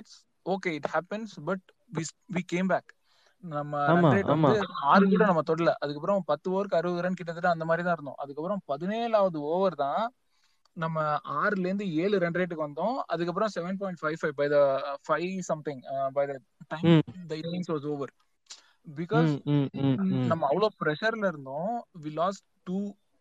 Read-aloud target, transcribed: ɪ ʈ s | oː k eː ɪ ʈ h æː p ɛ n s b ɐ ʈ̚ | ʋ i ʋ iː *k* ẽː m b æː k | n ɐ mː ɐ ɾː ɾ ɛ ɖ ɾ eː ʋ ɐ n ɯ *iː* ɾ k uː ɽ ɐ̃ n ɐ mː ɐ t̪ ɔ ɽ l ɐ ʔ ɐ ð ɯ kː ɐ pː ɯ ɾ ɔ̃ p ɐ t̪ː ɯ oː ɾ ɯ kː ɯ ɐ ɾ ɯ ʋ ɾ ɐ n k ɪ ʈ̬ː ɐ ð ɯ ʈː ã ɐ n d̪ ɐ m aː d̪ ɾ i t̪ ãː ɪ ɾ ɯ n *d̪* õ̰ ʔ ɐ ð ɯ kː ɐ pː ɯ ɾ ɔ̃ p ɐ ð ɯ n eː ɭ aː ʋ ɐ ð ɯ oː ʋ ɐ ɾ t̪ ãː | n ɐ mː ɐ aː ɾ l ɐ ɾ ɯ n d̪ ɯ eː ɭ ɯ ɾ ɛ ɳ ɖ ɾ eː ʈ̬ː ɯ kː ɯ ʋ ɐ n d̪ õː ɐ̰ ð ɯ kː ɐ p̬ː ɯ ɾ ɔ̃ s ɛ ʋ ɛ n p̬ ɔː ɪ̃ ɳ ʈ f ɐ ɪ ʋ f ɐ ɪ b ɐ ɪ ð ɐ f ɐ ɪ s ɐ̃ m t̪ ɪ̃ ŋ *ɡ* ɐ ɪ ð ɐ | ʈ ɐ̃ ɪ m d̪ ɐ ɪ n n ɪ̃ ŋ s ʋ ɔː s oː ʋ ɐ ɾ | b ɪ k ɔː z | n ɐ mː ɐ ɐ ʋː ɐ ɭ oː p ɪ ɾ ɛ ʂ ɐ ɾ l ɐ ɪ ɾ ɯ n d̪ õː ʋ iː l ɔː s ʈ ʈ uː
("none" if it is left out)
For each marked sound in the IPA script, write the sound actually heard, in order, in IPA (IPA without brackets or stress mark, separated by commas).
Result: k, aː, d̪, b